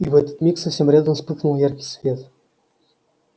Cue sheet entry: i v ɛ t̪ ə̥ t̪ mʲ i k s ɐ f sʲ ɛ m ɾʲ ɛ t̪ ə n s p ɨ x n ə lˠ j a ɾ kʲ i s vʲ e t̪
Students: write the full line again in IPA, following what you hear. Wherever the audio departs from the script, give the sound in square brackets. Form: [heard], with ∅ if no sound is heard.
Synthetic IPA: i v ɛ t̪ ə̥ t̪ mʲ i k s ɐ f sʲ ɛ m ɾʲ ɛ [d̪] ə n s p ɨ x n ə lˠ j a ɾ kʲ i s vʲ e t̪

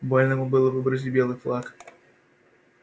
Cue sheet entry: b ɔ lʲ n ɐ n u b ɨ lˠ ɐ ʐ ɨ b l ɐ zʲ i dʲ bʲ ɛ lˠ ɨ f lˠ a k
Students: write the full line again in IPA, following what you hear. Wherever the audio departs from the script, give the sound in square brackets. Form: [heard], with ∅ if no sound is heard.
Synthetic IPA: b ɔ lʲ n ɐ [m] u b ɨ lˠ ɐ [v] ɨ b [ɾ] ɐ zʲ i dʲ bʲ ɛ lˠ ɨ f lˠ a k

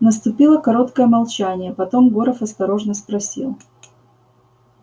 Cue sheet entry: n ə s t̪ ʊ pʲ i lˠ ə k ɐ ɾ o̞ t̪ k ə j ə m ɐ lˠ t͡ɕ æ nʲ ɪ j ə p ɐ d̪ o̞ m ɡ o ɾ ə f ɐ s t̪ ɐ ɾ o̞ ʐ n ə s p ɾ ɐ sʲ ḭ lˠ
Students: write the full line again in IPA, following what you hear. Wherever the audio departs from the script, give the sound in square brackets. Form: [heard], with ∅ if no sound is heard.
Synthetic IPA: n ə s t̪ ʊ pʲ i lˠ ə k ɐ ɾ o̞ t̪ k ə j ə m ɐ lˠ t͡ɕ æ nʲ ɪ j ə p ɐ [t̪] o̞ m ɡ o ɾ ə f ɐ s t̪ ɐ ɾ o̞ ʐ n ə s p ɾ ɐ sʲ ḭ lˠ

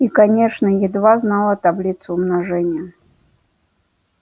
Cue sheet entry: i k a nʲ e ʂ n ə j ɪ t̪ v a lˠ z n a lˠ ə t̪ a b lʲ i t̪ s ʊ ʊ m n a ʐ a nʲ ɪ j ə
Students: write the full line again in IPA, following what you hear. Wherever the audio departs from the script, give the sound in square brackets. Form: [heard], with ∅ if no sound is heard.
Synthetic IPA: i k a nʲ e ʂ n ə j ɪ [d̪] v a [∅] z n a lˠ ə t̪ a b lʲ i t̪ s ʊ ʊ m n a ʐ [ɛ] nʲ ɪ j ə

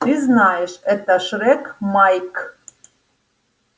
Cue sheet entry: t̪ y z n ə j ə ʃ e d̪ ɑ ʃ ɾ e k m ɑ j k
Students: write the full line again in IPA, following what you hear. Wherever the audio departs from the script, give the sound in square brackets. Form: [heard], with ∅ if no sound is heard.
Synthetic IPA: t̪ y z n [ɑ] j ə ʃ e [t̪] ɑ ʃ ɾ e k m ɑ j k

